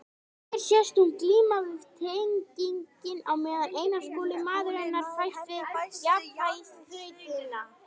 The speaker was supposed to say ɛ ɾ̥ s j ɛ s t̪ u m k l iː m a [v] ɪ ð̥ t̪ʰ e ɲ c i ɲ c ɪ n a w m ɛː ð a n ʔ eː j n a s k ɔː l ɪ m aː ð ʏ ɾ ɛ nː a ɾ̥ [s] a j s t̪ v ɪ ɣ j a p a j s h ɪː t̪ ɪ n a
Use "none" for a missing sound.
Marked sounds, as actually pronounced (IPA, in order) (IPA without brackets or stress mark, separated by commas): v, f